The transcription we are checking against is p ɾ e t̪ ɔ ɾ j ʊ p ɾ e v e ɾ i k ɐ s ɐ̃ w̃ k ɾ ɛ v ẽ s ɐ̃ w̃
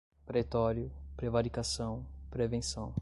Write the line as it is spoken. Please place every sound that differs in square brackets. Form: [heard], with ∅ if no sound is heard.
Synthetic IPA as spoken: p ɾ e t̪ ɔ ɾ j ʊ p ɾ e v [a] ɾ i k [a] s ɐ̃ w̃ [p] ɾ [e] v ẽ s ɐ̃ w̃